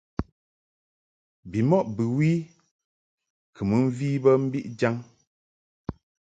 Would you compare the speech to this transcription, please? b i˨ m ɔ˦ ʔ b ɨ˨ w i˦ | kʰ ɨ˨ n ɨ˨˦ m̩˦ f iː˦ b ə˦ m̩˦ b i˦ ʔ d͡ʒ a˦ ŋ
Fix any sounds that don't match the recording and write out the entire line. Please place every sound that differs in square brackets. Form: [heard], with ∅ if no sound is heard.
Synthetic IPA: b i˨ m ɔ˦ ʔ b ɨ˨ w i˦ | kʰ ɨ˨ [m] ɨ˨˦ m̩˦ [v] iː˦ b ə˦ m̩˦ b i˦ ʔ d͡ʒ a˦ ŋ